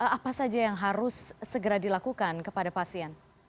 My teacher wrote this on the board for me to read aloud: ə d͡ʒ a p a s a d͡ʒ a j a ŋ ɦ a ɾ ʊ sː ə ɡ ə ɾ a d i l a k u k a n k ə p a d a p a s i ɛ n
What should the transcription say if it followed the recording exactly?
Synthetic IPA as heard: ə a p a s a d͡ʒ a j a ŋ ɦ a ɾ ʊ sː ə ɡ ə ɾ a d i l a k u k a n k ə p a d a p a s i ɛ n